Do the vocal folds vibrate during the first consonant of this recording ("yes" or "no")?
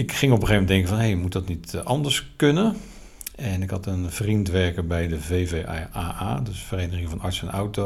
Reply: no